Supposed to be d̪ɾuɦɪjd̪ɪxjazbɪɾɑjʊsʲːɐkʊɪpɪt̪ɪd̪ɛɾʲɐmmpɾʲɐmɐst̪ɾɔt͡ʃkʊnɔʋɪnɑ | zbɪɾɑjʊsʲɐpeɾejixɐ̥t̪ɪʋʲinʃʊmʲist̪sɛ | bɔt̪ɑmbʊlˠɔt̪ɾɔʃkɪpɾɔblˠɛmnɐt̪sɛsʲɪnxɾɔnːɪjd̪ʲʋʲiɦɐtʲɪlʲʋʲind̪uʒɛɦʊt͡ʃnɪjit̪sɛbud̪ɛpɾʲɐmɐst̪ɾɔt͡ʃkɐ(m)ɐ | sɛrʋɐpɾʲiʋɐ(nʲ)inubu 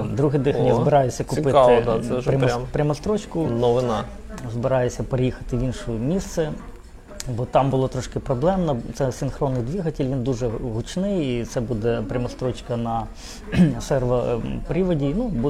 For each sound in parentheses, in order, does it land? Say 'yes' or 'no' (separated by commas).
no, no